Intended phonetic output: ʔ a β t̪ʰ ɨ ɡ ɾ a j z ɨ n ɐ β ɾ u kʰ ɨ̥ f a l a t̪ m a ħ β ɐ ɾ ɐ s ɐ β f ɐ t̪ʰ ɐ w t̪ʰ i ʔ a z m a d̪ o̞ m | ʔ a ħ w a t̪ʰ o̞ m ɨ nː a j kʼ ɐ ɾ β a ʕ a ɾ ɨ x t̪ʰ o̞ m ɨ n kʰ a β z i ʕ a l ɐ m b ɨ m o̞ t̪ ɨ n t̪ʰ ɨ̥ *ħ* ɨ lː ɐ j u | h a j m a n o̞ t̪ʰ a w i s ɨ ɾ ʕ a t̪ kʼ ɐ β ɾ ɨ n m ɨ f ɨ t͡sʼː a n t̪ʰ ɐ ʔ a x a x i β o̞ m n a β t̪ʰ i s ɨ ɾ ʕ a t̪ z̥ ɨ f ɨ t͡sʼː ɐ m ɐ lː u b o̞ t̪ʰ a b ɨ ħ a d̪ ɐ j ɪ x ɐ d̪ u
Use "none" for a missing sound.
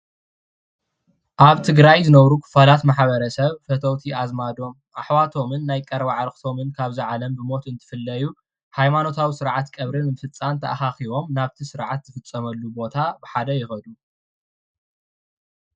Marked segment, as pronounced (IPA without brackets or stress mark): f